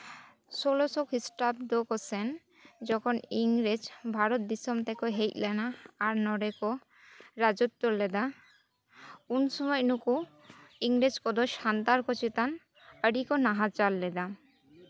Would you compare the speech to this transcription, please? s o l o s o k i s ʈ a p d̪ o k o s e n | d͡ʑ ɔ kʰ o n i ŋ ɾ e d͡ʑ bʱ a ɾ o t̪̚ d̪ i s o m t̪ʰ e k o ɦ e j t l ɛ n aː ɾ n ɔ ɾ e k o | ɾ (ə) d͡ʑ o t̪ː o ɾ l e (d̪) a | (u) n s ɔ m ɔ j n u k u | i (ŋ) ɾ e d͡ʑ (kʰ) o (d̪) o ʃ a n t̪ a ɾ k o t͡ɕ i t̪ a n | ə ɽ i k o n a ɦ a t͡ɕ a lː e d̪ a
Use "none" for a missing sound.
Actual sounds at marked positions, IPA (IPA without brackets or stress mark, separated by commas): a, d̪, u, ŋ, k, d̪